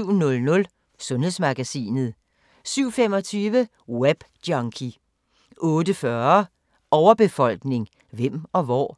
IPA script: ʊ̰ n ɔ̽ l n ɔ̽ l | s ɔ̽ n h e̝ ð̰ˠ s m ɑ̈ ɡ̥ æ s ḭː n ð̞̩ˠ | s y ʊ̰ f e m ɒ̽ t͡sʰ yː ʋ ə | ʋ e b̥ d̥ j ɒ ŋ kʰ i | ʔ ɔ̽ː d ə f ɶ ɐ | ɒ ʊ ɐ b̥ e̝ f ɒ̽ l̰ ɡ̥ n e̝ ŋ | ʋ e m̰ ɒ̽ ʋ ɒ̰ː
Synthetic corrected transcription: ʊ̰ n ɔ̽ l n ɔ̽ l | s ɔ̽ n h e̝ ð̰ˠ s m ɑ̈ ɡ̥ æ s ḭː n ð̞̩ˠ | s y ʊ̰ f e m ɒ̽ t͡sʰ yː ʋ ə | w e b̥ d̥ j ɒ ŋ kʰ i | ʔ ɔ̽ː d ə f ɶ ɐ | ɒ ʊ ɐ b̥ e̝ f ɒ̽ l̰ ɡ̥ n e̝ ŋ | ʋ e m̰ ɒ̽ ʋ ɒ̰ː